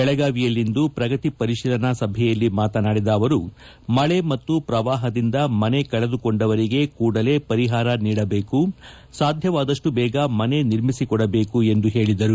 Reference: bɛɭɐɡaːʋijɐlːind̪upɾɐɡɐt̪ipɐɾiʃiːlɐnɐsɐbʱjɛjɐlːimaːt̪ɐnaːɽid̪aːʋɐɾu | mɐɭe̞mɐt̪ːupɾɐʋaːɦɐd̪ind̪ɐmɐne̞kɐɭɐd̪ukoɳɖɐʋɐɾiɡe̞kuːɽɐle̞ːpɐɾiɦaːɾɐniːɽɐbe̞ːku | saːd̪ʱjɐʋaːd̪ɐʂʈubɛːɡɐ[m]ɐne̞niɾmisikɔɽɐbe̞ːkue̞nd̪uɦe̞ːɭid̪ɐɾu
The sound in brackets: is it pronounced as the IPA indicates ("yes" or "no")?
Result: yes